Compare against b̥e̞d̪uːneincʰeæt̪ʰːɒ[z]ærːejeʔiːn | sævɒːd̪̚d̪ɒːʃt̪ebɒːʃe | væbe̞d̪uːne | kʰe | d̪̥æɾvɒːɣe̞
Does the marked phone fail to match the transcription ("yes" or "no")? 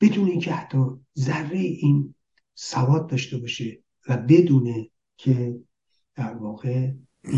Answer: no